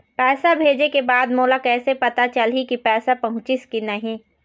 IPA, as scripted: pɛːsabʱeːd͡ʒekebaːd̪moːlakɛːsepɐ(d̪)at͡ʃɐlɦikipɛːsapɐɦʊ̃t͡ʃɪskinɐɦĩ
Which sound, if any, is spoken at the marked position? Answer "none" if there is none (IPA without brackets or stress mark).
t̪